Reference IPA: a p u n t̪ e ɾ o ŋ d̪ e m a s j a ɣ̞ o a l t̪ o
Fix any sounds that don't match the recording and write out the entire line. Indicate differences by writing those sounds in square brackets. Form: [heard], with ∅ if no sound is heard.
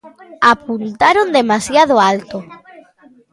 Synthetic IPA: a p u n t̪ [a] ɾ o [n] d̪ e m a s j a [ð̞] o a l t̪ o